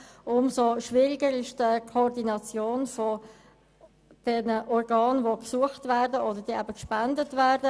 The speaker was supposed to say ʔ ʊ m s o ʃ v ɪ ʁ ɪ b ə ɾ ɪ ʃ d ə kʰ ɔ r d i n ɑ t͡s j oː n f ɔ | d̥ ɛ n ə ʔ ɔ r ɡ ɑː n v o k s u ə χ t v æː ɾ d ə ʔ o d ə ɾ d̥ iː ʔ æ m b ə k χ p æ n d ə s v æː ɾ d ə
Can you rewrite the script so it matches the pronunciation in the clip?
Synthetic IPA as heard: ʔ ʊ m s o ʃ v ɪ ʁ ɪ ɡ ə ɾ ɪ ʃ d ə kʰ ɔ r d i n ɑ t͡s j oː n f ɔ | d̥ ɛ n ə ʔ ɔ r ɡ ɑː n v o k s u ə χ t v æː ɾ d ə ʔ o d ə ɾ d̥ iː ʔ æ b ə k ʃ p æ n d ə t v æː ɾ d ə